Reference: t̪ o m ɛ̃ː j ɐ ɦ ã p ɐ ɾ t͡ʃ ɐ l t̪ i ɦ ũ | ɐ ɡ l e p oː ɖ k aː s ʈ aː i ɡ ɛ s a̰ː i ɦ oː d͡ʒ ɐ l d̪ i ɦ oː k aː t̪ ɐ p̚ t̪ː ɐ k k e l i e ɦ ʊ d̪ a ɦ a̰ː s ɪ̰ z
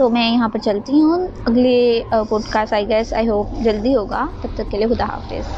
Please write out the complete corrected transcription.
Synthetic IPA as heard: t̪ o m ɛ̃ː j ɐ ɦ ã p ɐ ɾ t͡ʃ ɐ l t̪ i ɦ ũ | ɐ ɡ l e p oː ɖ k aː s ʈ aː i ɡ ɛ s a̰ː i ɦ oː d͡ʒ ɐ l d̪ i ɦ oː ɡ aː t̪ ɐ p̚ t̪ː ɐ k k e l i e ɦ ʊ d̪ a ɦ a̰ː f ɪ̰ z